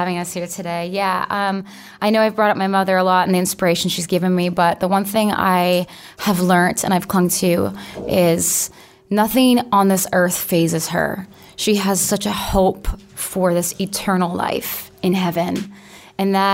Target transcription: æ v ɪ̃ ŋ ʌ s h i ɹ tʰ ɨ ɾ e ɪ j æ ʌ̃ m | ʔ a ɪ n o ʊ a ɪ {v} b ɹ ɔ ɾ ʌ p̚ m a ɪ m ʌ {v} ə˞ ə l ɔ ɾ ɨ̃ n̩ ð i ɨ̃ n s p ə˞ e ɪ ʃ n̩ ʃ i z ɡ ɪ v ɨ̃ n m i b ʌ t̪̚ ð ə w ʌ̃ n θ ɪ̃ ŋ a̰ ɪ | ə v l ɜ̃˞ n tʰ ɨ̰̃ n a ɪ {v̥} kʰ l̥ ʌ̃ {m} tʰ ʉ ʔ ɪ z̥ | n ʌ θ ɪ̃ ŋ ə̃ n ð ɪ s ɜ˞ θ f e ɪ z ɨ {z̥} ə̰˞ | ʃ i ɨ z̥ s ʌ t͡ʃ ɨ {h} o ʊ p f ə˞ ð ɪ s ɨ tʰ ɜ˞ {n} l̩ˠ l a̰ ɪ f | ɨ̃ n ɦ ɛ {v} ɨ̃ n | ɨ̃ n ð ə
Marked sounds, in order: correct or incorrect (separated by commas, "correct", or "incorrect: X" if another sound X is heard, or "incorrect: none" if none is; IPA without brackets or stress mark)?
correct, incorrect: ð, correct, incorrect: ŋ, correct, correct, correct, correct